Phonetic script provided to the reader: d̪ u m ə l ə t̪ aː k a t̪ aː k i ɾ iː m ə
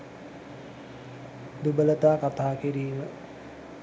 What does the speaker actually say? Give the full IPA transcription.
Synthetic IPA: d̪ u b ə l ə t̪ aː k a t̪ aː k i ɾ iː m ə